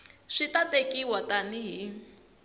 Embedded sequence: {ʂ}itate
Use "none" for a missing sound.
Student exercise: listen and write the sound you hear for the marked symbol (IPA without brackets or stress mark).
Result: ʂ